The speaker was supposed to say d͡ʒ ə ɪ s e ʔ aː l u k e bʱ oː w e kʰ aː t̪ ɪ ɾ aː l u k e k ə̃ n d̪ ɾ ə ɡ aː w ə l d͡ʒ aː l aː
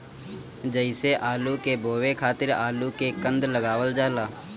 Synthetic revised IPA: d͡ʒ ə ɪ s e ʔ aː l u k e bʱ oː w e kʰ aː t̪ ɪ ɾ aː l u k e k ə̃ n d̪ l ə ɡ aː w ə l d͡ʒ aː l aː